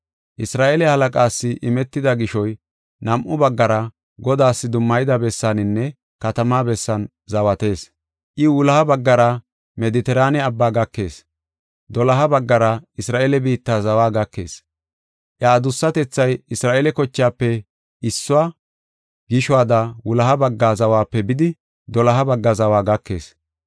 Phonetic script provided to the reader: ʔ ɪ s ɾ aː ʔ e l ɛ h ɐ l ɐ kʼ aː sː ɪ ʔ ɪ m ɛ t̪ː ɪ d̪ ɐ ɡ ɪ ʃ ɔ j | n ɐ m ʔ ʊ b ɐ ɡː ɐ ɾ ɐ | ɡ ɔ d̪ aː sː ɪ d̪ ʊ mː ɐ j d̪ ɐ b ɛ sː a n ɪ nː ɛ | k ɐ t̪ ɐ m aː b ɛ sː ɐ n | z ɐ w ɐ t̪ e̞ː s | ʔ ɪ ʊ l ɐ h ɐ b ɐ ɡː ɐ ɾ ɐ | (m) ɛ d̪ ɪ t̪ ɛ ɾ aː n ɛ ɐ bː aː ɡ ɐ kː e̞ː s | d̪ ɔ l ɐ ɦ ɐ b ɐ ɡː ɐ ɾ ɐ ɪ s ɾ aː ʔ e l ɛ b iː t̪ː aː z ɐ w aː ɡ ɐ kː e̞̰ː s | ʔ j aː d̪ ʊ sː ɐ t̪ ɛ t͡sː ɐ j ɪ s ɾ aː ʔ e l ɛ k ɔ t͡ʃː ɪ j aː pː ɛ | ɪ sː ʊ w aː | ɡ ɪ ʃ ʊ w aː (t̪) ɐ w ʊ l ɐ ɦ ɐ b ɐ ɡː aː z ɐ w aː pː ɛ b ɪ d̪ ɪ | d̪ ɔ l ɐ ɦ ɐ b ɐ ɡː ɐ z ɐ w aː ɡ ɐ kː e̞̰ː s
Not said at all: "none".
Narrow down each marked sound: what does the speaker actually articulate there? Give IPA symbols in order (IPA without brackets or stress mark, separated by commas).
m, d̪